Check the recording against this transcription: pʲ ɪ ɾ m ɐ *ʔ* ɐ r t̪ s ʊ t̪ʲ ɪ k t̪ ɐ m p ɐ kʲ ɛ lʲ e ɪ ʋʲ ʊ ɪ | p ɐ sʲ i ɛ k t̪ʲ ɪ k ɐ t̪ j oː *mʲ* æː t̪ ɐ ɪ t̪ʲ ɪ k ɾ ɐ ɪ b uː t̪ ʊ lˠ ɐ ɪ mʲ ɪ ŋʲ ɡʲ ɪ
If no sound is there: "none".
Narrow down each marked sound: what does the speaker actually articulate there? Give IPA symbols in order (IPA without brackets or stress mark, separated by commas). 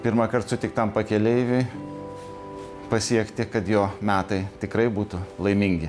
k, mʲ